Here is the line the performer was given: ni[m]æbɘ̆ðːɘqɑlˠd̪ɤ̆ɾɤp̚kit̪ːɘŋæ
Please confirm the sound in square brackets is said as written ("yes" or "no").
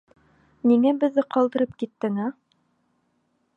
no